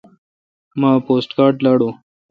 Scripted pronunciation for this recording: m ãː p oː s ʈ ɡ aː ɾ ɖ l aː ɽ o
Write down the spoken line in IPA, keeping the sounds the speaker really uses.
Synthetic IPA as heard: m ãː p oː s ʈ k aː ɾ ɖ l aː ɽ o